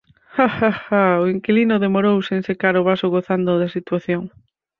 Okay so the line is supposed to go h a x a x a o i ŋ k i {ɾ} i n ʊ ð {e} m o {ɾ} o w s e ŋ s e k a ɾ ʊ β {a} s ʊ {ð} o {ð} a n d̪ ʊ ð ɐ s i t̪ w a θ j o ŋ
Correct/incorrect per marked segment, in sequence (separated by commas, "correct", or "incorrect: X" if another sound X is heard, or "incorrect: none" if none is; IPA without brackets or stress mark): incorrect: l, correct, correct, correct, incorrect: ɣ, incorrect: θ